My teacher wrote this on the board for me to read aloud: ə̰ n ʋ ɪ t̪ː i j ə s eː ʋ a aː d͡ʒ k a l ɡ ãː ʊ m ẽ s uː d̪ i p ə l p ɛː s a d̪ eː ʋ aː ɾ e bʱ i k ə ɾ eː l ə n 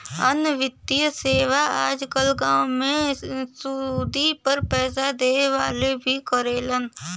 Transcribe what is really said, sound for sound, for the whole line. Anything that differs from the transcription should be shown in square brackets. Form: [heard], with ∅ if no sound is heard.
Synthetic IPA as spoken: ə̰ n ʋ ɪ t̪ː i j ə s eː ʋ a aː d͡ʒ k [ə] l ɡ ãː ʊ m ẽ s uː d̪ i p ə [ɾ] p ɛː s a d̪ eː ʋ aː [l] e bʱ i k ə ɾ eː l ə n

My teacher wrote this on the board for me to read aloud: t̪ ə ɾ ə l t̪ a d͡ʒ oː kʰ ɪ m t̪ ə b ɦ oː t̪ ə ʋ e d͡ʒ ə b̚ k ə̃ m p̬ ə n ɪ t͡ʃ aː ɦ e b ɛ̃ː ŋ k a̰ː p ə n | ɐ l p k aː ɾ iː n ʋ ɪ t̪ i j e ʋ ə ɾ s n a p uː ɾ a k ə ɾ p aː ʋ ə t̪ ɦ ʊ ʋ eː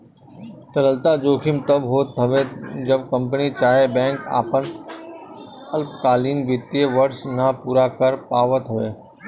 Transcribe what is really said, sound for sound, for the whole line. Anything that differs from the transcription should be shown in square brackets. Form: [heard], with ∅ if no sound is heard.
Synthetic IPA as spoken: t̪ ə ɾ ə l t̪ a d͡ʒ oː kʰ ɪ m t̪ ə b ɦ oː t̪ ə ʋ e d͡ʒ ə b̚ k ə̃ m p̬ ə n [i] t͡ʃ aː ɦ e b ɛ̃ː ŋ k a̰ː p ə n | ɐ l p k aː [l] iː n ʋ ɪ t̪ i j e ʋ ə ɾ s n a p uː ɾ a k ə ɾ p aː ʋ ə t̪ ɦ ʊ ʋ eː

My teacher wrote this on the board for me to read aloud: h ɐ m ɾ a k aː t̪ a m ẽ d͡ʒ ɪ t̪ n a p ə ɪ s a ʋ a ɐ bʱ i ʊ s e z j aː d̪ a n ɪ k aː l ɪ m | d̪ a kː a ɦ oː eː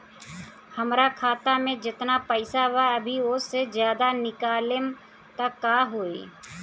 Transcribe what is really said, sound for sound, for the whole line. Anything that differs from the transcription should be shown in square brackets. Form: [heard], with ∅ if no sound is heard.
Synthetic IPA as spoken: h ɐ m ɾ a [kʰ] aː t̪ a m ẽ d͡ʒ ɪ t̪ n a p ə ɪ s a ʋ a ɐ bʱ i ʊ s e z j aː d̪ a n ɪ k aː l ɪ m | [t̪] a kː a ɦ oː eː

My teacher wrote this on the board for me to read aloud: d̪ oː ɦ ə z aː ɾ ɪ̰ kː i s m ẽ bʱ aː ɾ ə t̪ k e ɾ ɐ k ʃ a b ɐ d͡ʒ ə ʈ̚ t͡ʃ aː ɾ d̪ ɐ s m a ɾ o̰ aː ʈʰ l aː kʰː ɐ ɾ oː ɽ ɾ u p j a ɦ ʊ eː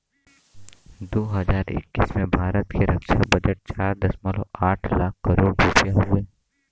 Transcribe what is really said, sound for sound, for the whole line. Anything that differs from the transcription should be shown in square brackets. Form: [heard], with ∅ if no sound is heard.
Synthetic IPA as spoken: d̪ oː ɦ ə z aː ɾ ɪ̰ kː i s m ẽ bʱ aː ɾ ə t̪ k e ɾ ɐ k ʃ a b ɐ d͡ʒ ə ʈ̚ t͡ʃ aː ɾ d̪ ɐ s m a [l] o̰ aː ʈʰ l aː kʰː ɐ ɾ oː ɽ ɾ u p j a ɦ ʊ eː

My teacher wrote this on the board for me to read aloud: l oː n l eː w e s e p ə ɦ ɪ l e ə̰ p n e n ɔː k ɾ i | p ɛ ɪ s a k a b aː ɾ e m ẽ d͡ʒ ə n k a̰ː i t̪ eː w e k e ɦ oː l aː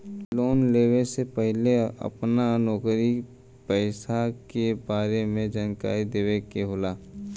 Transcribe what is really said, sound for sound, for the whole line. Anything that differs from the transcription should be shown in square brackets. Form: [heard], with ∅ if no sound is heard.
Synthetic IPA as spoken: l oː n l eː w e s e p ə ɦ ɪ l e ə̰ p n [a] n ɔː k ɾ i | p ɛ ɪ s a k [e] b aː ɾ e m ẽ d͡ʒ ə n k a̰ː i [d̪] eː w e k e ɦ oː l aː

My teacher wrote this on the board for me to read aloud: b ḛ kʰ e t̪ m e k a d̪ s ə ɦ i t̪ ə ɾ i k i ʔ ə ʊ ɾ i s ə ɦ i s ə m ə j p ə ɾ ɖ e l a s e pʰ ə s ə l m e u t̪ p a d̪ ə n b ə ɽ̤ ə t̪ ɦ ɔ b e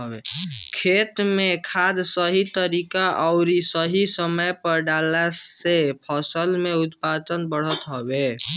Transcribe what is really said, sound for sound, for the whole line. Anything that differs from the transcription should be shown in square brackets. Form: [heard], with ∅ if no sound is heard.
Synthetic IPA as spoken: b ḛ kʰ e t̪ m e [kʰ] a d̪ s ə ɦ i t̪ ə ɾ i k [a] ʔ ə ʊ ɾ i s ə ɦ i s ə m ə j p ə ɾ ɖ [a] l a s e pʰ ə s ə l m e u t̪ p a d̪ ə n b ə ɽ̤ ə t̪ ɦ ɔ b e

